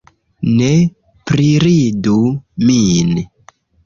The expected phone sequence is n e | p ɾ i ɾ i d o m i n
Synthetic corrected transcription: n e | p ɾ i ɾ i d u m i n